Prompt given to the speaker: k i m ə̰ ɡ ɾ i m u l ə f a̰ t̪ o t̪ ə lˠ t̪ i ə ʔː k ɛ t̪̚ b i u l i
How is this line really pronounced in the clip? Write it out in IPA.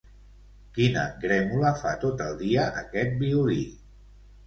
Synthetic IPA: k i n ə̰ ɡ ɾ ɛ m u l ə f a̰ t̪ o t̪ ə lˠ d̪ i ə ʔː k ɛ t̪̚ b i u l i

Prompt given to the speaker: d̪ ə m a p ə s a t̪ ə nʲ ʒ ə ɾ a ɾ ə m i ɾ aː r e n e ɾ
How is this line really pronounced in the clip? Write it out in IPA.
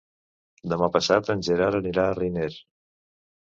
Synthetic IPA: d̪ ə m a p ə s a t̪ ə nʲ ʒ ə ɾ a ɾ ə n i ɾ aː r i n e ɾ

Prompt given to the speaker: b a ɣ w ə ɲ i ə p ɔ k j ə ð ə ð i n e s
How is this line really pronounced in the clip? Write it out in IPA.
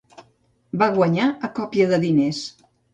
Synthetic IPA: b a ɣ w ə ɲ a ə k ɔ p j ə ð ə ð i n e s

